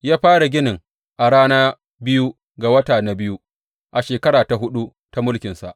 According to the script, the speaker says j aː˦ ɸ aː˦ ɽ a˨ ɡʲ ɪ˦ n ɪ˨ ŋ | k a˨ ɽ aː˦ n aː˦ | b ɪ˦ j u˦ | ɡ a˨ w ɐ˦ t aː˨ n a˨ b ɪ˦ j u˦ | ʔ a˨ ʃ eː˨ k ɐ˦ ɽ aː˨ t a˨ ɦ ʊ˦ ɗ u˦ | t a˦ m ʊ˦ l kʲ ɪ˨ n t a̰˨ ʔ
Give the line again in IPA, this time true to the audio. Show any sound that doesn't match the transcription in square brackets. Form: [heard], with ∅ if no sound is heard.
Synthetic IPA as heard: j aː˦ ɸ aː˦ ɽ a˨ ɡʲ ɪ˦ n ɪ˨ ŋ | [ʔ] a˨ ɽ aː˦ n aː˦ | b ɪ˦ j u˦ | ɡ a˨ w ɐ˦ t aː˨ n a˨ b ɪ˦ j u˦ | ʔ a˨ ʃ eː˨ k ɐ˦ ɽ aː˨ t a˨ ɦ ʊ˦ ɗ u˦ | t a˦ m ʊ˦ l kʲ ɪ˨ n [s] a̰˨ ʔ